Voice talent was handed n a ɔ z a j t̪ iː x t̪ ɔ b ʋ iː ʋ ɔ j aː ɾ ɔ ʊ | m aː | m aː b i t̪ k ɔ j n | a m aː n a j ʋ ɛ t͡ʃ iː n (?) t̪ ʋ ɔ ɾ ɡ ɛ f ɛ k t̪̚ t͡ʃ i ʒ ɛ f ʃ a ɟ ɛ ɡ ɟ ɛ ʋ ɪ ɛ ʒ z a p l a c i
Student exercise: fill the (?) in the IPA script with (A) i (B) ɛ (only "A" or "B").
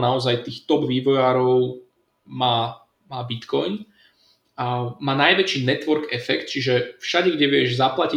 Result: B